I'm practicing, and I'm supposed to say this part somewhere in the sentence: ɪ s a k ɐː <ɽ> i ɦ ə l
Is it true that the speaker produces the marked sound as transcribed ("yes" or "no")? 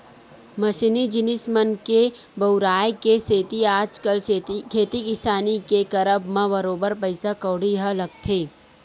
yes